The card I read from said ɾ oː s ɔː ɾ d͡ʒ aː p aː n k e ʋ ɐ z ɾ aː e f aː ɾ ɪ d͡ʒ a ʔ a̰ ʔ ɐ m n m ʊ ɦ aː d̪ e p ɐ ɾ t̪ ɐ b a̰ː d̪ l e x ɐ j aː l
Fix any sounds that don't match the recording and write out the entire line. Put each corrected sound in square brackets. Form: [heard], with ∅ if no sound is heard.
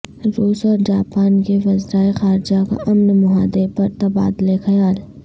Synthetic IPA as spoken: ɾ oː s ɔː ɾ d͡ʒ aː p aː n k e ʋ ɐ z ɾ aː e [x] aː ɾ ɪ d͡ʒ a [k] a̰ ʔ ɐ m n m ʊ ɦ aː d̪ e p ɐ ɾ t̪ ɐ b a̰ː d̪ l e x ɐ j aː l

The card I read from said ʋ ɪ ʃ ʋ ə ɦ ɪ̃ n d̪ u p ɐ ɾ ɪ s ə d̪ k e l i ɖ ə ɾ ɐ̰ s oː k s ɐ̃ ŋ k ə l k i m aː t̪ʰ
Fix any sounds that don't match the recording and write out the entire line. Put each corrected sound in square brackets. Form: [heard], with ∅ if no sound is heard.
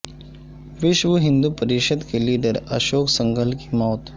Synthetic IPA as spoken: ʋ ɪ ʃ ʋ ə ɦ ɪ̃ n d̪ u p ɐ ɾ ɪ [ʃ] ə d̪ k e l [iː] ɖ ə ɾ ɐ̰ [ʃ] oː k s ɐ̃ ŋ [ɡ] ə l k i m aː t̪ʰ

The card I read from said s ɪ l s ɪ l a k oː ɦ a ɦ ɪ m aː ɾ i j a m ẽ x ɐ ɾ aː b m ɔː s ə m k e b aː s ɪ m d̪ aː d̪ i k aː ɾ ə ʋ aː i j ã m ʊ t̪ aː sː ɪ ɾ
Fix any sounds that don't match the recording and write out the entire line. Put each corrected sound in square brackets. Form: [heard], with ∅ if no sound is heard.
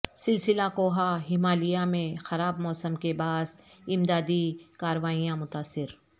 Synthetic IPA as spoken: s ɪ l s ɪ l a k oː ɦ a ɦ ɪ m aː [l] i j a m ẽ x ɐ ɾ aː b m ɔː s ə m k e b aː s ɪ m d̪ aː d̪ i k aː ɾ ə ʋ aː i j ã m ʊ t̪ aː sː ɪ ɾ

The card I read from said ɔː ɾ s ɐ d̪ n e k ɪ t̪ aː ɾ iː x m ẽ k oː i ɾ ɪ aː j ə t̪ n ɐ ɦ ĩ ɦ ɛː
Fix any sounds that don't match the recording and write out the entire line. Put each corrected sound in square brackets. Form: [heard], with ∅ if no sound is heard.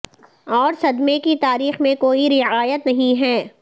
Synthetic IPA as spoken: ɔː ɾ s ɐ d̪ [m] e k [i] t̪ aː ɾ iː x m ẽ k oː i ɾ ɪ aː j ə t̪ n ɐ ɦ ĩ ɦ ɛː

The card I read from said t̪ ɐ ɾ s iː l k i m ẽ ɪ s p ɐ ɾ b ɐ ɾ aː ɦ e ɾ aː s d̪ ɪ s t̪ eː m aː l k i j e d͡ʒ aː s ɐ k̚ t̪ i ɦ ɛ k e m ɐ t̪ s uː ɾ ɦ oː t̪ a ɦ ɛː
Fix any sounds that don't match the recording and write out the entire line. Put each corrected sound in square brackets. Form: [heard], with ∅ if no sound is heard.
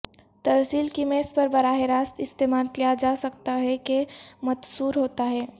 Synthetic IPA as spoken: t̪ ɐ ɾ s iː l k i m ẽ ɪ s p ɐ ɾ b ɐ ɾ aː ɦ e ɾ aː s [t̪] ɪ s t̪ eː m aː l k i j [a] d͡ʒ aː s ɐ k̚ t̪ [a] ɦ ɛ k e m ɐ t̪ s uː ɾ ɦ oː t̪ a ɦ ɛː

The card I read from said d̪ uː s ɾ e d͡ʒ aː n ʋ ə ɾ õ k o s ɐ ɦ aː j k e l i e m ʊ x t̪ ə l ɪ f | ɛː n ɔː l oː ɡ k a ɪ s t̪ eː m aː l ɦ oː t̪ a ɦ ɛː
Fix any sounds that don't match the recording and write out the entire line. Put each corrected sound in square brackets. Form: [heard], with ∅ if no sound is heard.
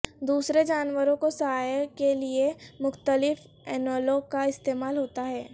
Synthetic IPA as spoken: d̪ uː s ɾ e d͡ʒ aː n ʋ ə ɾ õ k o s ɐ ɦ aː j k e l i e m ʊ x t̪ ə l ɪ f | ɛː n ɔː l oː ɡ k a ɪ s t̪ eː m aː l ɦ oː t̪ a ɦ ɛː

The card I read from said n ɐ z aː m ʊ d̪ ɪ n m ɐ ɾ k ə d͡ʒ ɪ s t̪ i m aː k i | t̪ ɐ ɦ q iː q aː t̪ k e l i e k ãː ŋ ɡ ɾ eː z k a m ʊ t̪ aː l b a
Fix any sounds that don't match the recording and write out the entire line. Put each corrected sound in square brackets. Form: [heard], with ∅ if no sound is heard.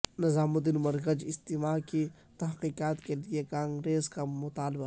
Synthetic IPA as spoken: n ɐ z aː m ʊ d̪ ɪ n m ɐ ɾ k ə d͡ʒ ɪ s t̪ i m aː k i | t̪ ɐ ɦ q iː q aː t̪ k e l i e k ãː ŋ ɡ ɾ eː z k a m ʊ t̪ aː l b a

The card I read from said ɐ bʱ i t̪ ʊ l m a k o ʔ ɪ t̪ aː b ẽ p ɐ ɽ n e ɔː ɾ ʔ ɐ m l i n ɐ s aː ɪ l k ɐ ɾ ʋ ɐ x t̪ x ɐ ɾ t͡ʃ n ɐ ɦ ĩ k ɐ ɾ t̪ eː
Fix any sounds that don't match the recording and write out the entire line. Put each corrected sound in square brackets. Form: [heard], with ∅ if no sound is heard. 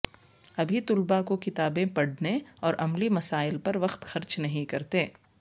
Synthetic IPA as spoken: ɐ bʱ i t̪ ʊ l [b] a k o [k] ɪ t̪ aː b ẽ p ɐ ɽ n e ɔː ɾ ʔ ɐ m l i [m] ɐ s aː ɪ l [p] ɐ ɾ ʋ ɐ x t̪ x ɐ ɾ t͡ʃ n ɐ ɦ ĩ k ɐ ɾ t̪ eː

